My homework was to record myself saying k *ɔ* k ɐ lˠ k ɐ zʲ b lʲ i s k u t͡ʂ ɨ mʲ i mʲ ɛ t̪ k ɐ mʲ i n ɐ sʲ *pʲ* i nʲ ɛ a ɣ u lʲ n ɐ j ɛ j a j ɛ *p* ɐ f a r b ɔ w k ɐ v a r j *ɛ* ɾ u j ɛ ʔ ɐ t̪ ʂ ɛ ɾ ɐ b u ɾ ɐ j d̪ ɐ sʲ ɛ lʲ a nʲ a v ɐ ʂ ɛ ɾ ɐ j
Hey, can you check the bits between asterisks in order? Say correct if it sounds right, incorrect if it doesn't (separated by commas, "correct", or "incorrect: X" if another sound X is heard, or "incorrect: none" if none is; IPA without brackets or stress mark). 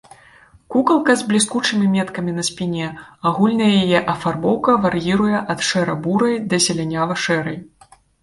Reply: incorrect: u, correct, incorrect: ʔ, incorrect: i